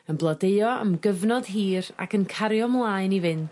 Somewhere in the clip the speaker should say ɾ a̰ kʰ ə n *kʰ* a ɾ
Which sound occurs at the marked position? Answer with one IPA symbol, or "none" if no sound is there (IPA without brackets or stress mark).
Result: kʰ